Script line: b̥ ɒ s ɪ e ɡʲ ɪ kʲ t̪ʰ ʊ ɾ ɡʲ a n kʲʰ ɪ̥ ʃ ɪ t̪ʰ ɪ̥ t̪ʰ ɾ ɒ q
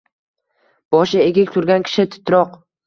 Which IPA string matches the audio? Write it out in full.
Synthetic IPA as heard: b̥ ɒ ʃ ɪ e ɡʲ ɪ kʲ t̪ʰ ʊ ɾ ɡʲ a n kʲʰ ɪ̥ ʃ ɪ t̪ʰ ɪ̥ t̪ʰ ɾ ɒ q